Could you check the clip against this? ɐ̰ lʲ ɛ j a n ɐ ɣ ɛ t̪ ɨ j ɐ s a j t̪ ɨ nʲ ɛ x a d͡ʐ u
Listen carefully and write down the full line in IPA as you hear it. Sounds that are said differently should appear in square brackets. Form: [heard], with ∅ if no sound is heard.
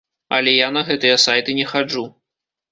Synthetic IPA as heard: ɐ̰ lʲ ɛ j a n ɐ ɣ ɛ t̪ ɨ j ɐ s a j t̪ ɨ nʲ ɛ x a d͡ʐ u